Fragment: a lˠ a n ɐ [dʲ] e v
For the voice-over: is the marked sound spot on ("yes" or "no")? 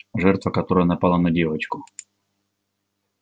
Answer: yes